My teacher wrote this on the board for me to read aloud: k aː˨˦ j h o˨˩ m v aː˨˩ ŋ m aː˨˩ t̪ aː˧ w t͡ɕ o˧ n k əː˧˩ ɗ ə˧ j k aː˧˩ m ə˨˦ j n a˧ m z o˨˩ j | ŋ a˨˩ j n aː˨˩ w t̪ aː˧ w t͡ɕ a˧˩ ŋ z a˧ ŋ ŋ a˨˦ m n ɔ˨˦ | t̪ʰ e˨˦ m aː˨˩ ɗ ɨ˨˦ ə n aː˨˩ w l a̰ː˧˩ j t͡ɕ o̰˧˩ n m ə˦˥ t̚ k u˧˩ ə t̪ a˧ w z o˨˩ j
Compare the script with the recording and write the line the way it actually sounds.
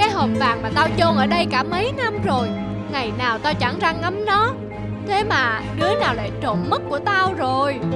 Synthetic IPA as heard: k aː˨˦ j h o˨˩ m v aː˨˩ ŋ m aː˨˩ t̪ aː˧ w t͡ɕ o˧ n ʔ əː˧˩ ɗ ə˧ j k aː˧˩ m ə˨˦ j n a˧ m z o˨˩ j | ŋ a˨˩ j n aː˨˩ w t̪ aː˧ w t͡ɕ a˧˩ ŋ z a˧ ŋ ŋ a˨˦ m n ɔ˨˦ | t̪ʰ e˨˦ m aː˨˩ ɗ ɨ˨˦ ə n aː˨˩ w l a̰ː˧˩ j t͡ɕ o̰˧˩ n m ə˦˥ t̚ k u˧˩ ə t̪ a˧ w z o˨˩ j